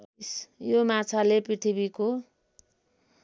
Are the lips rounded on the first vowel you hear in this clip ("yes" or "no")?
yes